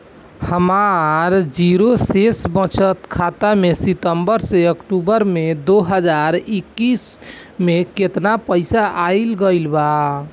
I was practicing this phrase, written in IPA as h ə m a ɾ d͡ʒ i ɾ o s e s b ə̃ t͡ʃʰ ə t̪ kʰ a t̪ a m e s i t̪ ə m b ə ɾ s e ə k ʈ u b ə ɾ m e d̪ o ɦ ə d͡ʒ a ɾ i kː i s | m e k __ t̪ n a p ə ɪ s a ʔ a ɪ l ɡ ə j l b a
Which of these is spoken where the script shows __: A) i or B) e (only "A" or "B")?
B